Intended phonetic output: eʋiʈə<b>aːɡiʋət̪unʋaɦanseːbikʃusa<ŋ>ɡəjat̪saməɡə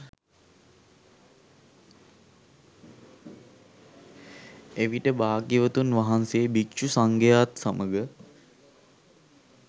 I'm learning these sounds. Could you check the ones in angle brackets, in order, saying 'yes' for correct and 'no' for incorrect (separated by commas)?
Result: yes, yes